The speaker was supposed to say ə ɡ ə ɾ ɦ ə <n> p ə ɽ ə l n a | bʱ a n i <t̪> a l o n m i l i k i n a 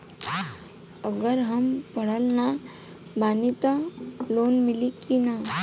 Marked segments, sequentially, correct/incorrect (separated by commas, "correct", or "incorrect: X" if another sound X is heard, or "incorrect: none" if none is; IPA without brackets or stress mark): incorrect: m, correct